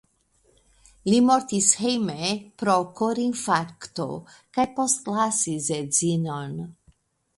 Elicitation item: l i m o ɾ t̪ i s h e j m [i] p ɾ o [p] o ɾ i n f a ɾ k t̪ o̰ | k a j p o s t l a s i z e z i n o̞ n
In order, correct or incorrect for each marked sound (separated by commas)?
incorrect, incorrect